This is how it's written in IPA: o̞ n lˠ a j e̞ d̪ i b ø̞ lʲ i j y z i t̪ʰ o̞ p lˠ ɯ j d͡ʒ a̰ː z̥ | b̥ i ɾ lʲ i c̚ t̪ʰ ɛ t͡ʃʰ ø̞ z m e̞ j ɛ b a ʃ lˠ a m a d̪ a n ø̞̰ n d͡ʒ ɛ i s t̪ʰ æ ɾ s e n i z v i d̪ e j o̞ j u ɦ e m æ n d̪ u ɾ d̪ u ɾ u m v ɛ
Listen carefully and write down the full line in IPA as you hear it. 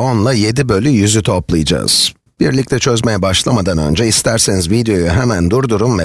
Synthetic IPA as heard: o̞ n lˠ a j e̞ d̪ i b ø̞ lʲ y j y z y t̪ʰ o̞ p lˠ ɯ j d͡ʒ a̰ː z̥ | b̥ i ɾ lʲ i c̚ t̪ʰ ɛ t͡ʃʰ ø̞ z m e̞ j ɛ b a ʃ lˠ a m a d̪ a n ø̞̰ n d͡ʒ ɛ i s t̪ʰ æ ɾ s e n i z v i d̪ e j o̞ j u ɦ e m æ n d̪ u ɾ d̪ u ɾ u m v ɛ